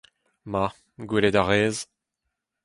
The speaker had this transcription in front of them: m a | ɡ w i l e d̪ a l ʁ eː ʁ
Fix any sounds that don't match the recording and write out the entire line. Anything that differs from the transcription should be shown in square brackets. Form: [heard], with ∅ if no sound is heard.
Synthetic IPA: m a | ɡ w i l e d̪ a [∅] ʁ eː [z]